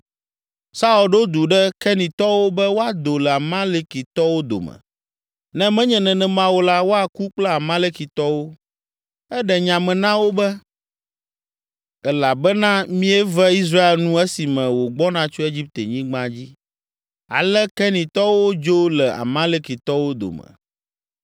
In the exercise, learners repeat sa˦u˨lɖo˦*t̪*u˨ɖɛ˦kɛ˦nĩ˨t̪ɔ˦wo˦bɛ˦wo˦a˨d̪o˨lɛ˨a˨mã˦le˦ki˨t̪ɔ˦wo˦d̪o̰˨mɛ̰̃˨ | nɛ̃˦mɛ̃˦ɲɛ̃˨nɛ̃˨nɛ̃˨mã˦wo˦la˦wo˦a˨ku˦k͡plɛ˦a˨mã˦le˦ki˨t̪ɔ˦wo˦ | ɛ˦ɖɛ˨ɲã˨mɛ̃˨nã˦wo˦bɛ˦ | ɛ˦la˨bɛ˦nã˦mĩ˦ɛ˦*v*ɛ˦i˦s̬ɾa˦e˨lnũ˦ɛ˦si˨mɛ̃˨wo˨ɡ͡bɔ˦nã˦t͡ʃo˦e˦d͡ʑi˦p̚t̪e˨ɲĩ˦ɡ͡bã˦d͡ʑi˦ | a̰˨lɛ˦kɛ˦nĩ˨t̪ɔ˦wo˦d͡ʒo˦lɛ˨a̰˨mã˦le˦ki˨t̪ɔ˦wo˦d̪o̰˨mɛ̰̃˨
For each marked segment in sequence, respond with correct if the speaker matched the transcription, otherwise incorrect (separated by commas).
incorrect, correct